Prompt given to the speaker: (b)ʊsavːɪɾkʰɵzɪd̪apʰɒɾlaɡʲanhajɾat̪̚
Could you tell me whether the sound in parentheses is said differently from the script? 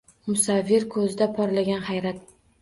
yes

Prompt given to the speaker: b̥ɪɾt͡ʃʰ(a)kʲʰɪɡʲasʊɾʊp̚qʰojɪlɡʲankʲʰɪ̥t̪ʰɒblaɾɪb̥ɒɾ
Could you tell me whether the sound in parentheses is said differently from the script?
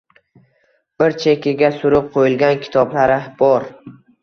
yes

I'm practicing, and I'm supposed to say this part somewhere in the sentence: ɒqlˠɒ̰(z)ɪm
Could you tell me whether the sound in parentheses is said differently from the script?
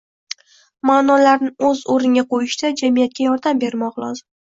no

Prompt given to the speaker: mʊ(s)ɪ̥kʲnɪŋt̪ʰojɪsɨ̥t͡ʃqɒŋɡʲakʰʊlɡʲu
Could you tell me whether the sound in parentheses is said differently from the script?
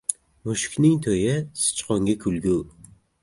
yes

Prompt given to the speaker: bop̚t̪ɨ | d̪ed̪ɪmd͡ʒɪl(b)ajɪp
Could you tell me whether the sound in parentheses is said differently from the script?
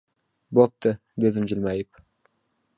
yes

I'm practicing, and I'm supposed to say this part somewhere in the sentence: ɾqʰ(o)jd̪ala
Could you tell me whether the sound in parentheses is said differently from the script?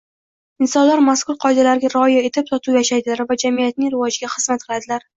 yes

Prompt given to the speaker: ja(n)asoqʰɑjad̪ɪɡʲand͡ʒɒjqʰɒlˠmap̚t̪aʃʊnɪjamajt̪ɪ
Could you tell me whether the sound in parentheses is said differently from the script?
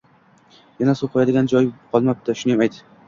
no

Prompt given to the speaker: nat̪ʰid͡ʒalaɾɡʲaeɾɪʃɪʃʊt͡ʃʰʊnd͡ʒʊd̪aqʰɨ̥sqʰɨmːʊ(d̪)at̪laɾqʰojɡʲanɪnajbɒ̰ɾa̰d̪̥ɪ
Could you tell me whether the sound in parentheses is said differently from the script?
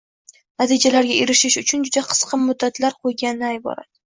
yes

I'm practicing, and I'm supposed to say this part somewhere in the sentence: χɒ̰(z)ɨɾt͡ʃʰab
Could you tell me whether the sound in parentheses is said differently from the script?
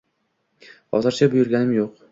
no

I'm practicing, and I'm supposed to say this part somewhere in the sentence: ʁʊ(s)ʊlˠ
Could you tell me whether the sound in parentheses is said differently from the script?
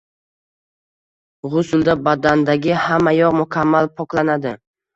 no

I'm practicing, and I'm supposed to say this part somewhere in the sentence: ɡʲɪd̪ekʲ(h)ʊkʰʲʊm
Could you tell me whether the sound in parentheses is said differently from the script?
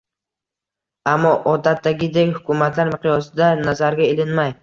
no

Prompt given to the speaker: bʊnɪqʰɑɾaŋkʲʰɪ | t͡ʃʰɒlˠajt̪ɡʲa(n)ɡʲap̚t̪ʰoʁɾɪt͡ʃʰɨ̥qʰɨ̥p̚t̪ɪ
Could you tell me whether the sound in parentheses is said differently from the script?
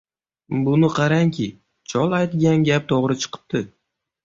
no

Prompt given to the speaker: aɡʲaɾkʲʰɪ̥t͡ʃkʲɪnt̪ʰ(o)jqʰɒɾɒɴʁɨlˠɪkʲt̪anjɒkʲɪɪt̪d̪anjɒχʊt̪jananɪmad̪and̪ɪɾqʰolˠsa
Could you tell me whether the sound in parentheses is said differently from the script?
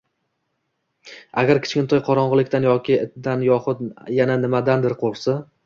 yes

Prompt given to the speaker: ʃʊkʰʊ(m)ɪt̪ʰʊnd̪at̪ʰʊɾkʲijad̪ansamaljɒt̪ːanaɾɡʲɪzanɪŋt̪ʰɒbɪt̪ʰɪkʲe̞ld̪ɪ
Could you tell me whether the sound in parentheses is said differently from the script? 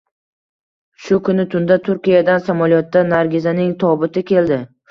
yes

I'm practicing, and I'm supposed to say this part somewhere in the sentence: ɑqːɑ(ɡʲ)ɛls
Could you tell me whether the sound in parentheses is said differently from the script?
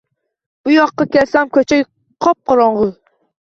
yes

